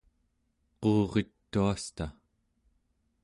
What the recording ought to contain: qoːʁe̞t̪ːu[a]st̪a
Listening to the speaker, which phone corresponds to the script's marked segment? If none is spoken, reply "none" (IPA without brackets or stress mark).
a